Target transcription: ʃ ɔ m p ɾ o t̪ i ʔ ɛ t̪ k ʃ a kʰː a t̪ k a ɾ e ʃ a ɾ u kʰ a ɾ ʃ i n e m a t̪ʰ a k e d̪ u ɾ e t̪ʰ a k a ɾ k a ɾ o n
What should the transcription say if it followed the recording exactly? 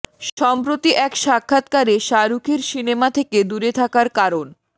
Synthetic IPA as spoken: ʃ ɔ m p ɾ o t̪ i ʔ ɛ k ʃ a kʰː a t̪ k a ɾ e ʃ a ɾ u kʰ e ɾ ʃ i n e m a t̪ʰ e k e d̪ u ɾ e t̪ʰ a k a ɾ k a ɾ o n